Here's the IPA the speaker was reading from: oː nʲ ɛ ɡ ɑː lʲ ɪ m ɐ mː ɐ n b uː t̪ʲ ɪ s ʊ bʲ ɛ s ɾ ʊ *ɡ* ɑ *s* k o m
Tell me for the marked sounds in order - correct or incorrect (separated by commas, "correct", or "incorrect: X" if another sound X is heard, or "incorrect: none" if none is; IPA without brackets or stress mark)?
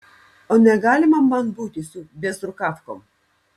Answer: incorrect: k, incorrect: f